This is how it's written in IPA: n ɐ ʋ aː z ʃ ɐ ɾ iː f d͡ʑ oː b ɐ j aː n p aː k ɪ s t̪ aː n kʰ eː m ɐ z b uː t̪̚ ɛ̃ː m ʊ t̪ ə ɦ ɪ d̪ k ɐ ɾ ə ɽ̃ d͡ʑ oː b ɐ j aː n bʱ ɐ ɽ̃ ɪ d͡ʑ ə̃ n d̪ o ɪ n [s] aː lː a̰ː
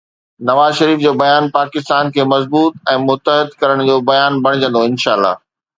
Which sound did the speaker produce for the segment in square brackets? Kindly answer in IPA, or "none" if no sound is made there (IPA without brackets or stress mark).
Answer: ʃ